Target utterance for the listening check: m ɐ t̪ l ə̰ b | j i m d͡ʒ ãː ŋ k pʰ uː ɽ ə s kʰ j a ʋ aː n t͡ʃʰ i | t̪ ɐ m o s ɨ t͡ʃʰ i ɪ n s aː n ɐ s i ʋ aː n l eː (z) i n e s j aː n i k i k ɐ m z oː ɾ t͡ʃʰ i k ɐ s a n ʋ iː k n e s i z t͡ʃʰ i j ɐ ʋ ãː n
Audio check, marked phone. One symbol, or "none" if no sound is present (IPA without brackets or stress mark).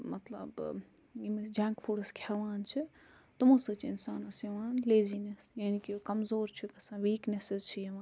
z